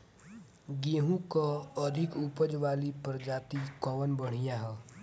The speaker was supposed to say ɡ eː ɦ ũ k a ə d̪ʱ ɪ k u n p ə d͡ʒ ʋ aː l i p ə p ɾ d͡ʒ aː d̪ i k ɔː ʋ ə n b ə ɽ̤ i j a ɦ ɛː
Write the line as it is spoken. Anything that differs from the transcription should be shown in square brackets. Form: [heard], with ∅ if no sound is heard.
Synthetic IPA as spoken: ɡ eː ɦ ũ k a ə d̪ʱ ɪ k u [∅] p ə d͡ʒ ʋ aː l i p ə [∅] ɾ d͡ʒ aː [t̪] i k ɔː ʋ ə n b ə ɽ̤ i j a ɦ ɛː